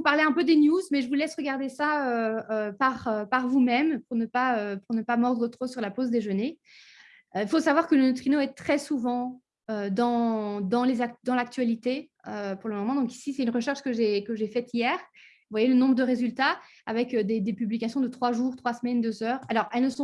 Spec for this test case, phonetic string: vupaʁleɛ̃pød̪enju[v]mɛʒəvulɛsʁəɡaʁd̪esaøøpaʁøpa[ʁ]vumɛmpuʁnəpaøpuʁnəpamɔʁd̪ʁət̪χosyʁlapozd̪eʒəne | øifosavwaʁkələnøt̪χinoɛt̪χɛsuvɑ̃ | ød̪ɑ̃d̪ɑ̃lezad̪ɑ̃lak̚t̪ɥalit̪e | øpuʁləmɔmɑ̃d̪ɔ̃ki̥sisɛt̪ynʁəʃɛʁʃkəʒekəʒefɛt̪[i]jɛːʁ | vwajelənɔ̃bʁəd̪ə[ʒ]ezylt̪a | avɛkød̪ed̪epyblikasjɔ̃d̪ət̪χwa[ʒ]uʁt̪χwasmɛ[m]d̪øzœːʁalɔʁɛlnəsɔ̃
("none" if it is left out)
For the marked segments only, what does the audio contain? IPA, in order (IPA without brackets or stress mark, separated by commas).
z, ʁ, i, ʁ, ʒ, n